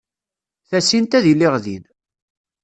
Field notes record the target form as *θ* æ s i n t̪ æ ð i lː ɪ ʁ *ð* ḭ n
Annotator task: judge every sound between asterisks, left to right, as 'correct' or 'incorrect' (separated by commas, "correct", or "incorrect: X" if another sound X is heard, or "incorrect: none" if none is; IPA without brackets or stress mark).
correct, correct